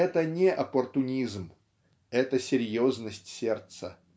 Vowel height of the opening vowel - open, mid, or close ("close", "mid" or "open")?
mid